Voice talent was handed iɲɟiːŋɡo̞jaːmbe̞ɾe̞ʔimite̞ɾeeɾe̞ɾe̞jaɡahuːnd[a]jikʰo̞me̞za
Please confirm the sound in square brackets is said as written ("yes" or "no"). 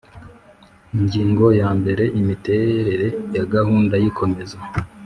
yes